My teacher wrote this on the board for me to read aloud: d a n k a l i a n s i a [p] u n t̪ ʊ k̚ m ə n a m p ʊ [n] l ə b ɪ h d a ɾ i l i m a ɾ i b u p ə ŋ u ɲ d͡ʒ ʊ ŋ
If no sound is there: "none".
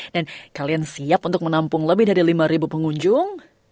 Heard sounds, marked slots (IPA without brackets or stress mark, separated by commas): p, ŋ